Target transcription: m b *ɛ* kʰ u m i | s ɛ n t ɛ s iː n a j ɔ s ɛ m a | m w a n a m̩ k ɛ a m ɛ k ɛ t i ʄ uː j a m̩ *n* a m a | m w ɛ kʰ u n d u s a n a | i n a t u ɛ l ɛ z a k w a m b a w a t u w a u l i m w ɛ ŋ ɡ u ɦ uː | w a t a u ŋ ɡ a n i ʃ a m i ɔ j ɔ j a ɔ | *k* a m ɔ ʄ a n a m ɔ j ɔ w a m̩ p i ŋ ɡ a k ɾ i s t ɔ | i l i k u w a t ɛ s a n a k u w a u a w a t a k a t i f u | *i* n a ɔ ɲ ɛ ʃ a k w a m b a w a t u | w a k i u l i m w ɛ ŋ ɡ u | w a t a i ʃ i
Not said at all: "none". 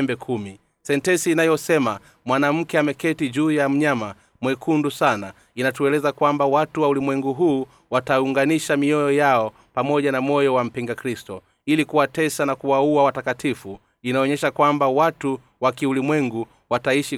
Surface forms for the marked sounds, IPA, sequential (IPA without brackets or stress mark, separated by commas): ɛ, ɲ, p, i